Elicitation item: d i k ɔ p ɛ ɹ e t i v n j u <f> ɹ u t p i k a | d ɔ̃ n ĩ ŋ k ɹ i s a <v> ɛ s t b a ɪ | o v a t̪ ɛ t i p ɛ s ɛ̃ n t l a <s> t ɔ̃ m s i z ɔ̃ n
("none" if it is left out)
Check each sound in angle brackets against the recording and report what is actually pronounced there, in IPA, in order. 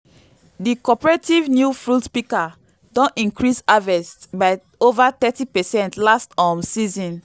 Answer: f, v, s

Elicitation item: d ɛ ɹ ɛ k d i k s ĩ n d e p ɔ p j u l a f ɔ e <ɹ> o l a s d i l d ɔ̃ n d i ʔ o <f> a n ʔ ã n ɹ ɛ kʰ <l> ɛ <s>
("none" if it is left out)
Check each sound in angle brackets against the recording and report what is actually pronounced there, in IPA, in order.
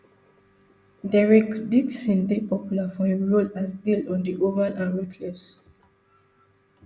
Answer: ɹ, v, l, s

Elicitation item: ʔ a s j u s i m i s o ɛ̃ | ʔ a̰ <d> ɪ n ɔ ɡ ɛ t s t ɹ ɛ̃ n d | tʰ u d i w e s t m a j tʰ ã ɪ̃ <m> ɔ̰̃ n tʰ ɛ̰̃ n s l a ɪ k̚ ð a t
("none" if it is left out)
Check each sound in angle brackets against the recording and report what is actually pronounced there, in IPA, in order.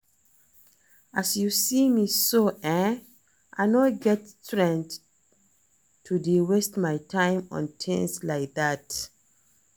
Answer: none, m

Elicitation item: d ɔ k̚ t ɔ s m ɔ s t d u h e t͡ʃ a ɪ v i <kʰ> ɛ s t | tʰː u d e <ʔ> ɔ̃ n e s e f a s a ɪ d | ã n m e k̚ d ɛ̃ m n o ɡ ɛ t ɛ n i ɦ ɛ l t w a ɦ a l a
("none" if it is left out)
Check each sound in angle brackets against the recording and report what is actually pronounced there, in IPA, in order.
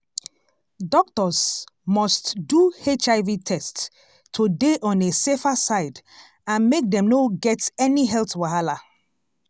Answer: tʰ, ʔ

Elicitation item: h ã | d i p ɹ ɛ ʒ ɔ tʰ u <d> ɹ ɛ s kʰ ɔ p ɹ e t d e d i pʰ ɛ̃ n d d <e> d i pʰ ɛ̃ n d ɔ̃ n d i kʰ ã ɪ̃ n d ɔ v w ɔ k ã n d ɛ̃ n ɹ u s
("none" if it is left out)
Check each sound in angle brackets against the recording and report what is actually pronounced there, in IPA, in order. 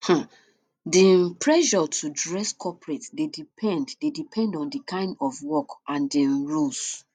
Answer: d, e

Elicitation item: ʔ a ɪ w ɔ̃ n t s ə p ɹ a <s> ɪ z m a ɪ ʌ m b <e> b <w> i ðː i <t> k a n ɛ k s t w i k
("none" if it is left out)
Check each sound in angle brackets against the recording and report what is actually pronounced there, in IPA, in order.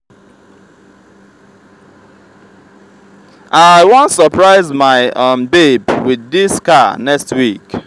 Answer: none, e, w, s

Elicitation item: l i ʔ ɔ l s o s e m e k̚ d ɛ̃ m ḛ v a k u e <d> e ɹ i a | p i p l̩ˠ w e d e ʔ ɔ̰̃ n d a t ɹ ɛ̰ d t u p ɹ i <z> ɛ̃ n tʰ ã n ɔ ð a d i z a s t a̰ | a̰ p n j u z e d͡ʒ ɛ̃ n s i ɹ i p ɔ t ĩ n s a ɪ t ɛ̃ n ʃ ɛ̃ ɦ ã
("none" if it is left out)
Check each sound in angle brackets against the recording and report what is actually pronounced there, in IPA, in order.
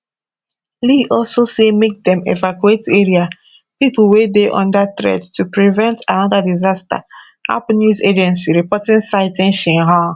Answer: t, v

